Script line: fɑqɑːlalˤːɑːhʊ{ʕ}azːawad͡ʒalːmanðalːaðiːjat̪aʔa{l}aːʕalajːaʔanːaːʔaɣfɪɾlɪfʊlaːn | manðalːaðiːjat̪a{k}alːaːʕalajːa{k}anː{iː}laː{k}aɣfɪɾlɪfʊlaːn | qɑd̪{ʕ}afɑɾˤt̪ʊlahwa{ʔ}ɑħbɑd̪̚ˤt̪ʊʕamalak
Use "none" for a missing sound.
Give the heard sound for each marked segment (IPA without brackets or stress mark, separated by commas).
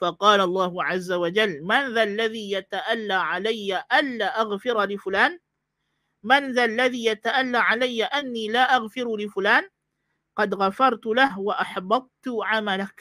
ʕ, lː, ʔ, ʔ, iː, ʔ, ɣ, ʔ